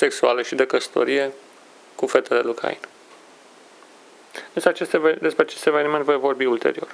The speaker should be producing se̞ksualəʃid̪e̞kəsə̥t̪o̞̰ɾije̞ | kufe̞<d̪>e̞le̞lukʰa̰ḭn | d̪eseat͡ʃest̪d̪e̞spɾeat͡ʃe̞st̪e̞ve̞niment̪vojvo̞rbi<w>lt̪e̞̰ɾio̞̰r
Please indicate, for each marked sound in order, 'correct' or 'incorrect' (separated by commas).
incorrect, incorrect